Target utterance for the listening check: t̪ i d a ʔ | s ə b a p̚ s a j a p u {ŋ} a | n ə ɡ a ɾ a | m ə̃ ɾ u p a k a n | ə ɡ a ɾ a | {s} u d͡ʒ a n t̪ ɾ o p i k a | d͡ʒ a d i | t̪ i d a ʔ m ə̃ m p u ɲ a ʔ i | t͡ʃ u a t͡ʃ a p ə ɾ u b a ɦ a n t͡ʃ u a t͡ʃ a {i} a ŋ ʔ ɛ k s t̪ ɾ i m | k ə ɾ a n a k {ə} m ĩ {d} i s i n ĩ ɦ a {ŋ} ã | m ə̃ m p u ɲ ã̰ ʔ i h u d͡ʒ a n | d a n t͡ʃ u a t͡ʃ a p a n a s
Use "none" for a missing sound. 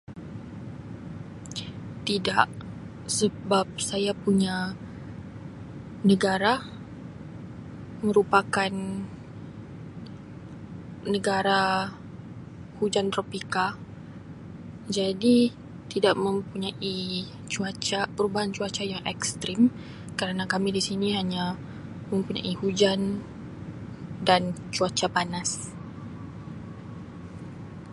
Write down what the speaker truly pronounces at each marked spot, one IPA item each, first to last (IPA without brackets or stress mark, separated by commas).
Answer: ɲ, h, j, a, d, ɲ